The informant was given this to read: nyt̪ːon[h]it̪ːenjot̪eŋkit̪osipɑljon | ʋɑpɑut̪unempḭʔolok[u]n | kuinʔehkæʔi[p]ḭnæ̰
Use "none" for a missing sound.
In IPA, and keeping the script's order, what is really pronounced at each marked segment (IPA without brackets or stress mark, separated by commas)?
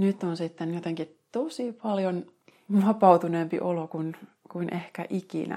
s, u, k